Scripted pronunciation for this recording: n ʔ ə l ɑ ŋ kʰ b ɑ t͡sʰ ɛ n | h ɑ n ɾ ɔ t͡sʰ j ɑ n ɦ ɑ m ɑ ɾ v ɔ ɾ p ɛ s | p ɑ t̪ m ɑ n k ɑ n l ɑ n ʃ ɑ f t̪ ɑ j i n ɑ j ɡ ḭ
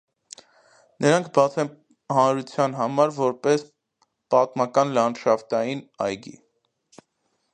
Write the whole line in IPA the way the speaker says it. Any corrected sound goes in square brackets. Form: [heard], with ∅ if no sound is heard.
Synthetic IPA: n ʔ ə [ɾ] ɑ ŋ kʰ b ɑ t͡sʰ ɛ n | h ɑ n ɾ [u] t͡sʰ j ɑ n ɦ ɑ m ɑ ɾ v ɔ ɾ p ɛ s | p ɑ t̪ m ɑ [∅] k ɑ n l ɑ n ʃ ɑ f t̪ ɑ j i n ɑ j ɡ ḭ